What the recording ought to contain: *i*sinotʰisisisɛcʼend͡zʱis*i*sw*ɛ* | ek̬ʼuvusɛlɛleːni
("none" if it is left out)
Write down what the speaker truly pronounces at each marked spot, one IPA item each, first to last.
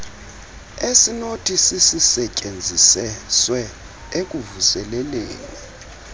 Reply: e, ɛ, ɛ

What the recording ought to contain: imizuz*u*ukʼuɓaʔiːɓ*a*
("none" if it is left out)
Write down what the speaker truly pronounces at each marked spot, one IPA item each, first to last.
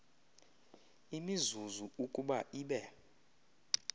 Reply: u, ɛ

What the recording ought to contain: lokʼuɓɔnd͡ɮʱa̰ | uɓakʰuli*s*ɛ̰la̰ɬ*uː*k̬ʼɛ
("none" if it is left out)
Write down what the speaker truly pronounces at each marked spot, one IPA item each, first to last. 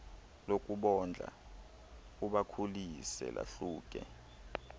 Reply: s, uː

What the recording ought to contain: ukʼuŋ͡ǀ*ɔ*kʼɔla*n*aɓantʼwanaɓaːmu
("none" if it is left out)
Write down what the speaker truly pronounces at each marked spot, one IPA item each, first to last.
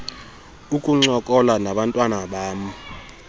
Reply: ɔ, n

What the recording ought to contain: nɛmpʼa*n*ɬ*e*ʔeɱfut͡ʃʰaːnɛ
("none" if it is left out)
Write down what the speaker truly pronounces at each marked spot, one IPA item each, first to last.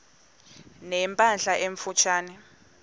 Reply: n, a

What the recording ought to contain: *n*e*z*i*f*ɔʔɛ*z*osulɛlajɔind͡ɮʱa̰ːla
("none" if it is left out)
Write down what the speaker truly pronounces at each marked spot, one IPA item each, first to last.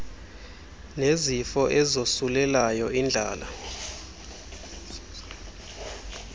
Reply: n, z, f, z

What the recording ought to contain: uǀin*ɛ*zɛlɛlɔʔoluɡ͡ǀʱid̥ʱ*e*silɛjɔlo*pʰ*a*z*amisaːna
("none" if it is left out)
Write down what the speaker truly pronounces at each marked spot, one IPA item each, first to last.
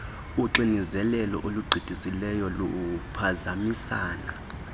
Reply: i, i, pʰ, z

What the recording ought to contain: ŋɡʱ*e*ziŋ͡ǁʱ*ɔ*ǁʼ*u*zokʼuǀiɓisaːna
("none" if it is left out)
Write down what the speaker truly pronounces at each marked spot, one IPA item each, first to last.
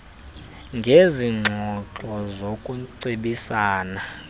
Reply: e, ɔ, ɔ

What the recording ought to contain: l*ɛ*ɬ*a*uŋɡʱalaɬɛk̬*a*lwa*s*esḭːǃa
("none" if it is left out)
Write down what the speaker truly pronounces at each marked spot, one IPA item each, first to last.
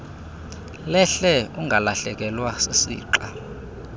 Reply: ɛ, ɛ, ɛ, s

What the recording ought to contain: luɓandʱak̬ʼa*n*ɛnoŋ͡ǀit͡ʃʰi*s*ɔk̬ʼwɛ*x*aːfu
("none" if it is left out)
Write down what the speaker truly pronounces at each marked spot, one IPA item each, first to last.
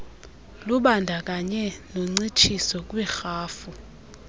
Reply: ɲ, s, x

